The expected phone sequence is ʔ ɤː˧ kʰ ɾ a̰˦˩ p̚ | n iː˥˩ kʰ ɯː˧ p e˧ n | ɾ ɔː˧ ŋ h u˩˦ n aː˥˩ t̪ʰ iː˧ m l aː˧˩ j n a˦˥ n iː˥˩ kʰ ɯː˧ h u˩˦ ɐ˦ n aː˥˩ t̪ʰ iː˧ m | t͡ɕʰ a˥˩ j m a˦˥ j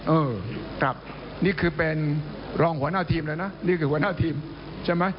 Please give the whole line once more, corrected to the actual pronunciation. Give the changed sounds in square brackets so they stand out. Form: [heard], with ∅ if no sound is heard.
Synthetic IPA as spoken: ʔ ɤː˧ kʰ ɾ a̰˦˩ p̚ | n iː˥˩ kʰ ɯː˧ p e˧ n | ɾ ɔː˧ ŋ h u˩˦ n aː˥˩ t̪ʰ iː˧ m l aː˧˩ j n a˦˥ n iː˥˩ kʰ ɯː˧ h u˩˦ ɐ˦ n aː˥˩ t̪ʰ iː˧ m | t͡ɕʰ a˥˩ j m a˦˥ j